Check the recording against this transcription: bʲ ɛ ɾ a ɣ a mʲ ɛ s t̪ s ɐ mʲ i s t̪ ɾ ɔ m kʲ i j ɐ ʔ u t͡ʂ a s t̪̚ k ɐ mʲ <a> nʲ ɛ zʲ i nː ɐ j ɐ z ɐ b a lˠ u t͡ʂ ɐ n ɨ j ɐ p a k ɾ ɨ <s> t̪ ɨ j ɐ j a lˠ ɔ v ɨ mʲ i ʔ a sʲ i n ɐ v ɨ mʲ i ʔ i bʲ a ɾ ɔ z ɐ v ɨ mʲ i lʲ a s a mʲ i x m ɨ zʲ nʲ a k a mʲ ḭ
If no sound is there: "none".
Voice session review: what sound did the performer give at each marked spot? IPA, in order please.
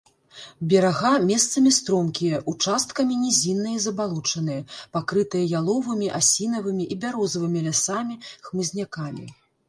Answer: i, none

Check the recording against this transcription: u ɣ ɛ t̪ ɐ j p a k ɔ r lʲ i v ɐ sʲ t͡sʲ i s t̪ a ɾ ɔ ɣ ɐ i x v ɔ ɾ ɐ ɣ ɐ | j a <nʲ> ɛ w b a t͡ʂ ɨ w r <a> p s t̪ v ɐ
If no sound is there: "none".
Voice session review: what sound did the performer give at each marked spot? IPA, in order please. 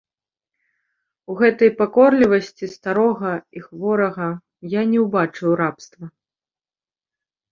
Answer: nʲ, a

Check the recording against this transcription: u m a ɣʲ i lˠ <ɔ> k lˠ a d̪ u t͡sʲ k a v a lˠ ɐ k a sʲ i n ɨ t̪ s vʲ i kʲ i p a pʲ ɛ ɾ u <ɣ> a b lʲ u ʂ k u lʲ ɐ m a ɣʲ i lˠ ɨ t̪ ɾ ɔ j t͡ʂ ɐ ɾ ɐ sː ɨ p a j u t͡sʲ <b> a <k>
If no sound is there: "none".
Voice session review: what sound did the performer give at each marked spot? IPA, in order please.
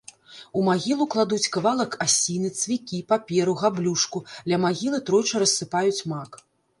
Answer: u, ɣ, m, k

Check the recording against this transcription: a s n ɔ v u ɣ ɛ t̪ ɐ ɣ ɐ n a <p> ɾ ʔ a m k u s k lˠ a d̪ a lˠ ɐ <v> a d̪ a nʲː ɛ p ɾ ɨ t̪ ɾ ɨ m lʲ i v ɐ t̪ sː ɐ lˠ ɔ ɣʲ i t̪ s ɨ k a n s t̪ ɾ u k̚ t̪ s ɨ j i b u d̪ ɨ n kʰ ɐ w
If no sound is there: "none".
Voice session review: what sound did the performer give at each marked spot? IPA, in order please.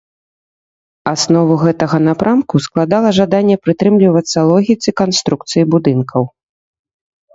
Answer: p, ʐ

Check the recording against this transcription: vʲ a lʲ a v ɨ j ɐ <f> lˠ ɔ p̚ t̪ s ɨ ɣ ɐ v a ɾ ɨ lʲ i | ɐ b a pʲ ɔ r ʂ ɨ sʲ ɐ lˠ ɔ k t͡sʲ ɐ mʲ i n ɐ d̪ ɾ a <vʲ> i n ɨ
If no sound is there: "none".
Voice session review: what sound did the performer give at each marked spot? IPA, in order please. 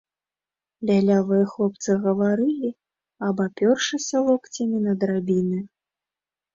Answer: x, bʲ

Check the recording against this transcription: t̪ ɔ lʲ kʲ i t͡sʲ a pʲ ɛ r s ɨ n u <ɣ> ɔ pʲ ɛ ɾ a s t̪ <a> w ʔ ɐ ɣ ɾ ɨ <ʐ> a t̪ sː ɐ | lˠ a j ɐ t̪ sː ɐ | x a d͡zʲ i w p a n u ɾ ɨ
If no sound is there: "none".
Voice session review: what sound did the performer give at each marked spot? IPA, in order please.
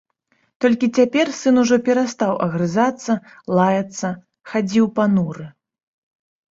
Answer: ʐ, a, z

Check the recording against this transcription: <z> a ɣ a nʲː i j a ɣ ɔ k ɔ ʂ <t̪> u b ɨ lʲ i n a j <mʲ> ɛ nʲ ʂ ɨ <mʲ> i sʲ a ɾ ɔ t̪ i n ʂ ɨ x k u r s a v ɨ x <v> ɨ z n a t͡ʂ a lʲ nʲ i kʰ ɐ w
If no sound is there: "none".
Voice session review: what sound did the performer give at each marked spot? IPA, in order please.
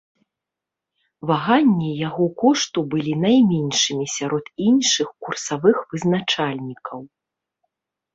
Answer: v, t̪, mʲ, mʲ, v

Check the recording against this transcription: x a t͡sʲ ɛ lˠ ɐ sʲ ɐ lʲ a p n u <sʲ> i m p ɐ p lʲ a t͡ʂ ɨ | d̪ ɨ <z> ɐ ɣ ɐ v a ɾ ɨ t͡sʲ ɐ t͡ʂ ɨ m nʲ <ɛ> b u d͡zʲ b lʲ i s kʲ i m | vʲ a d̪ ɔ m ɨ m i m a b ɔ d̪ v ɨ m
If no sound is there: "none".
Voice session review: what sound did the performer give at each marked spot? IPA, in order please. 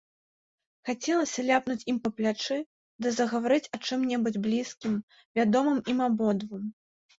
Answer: t͡sʲ, z, ɛ

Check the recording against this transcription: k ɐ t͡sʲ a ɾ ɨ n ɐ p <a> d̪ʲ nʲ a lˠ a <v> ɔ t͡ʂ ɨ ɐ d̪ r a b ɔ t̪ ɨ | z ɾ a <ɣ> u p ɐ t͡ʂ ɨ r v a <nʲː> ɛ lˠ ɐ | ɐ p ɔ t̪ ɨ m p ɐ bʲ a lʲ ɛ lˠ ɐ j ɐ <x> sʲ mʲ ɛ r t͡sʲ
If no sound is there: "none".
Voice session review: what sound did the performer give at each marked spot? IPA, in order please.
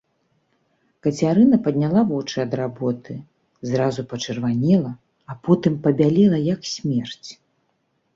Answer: ɐ, v, z, nʲ, k

